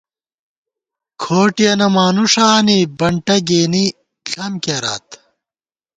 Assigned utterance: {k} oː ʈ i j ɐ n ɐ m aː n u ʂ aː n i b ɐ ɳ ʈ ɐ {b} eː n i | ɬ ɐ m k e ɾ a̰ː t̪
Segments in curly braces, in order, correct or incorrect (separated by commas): incorrect, incorrect